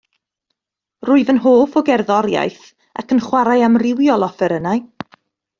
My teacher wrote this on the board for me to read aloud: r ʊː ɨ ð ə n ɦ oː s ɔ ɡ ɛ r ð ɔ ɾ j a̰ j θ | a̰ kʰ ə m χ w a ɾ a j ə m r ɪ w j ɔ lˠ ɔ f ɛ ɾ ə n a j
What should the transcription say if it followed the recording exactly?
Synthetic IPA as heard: r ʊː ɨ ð ə n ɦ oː f ɔ ɡ ɛ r ð ɔ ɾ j a̰ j θ | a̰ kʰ ə n χ w a ɾ a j a m r ɪ w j ɔ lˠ ɔ f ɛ ɾ ə n a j